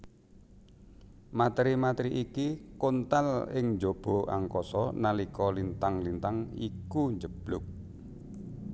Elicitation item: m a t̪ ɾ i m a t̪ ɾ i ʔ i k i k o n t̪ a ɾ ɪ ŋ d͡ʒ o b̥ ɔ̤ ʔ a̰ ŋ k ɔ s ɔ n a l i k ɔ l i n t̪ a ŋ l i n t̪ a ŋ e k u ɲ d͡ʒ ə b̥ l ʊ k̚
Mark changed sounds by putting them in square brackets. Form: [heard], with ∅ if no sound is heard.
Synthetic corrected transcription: m a t̪ ɾ i m a t̪ ɾ i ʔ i k i k o n t̪ a [l] ɪ ŋ d͡ʒ o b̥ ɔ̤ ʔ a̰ ŋ k ɔ s ɔ n a l i k ɔ l i n t̪ a ŋ l i n t̪ a ŋ [i] k u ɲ d͡ʒ ə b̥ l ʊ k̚